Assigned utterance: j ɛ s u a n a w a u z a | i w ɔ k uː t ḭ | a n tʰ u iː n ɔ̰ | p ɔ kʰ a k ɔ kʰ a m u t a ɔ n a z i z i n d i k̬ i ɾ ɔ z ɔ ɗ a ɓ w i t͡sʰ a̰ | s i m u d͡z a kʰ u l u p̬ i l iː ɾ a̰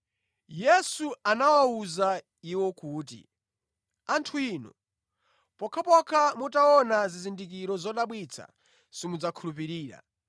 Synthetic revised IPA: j ɛ s u a n a w a u z a | i w ɔ k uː t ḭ | a n tʰ u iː n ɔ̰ | p ɔ kʰ a p ɔ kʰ a m u t a ɔ n a z i z i n d i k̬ i ɾ ɔ z ɔ ɗ a ɓ w i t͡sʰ a̰ | s i m u d͡z a kʰ u l u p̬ i ɾ iː ɾ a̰